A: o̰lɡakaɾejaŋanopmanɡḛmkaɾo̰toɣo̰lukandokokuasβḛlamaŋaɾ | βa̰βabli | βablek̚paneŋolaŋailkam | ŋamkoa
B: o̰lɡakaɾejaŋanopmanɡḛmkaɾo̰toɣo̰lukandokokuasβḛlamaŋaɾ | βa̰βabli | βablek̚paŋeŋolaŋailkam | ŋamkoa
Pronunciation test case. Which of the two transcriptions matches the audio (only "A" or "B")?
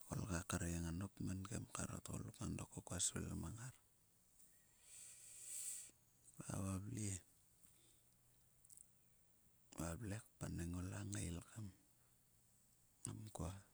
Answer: A